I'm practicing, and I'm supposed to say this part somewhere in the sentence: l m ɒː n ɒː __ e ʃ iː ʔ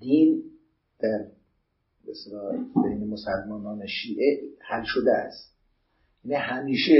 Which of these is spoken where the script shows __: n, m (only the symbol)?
n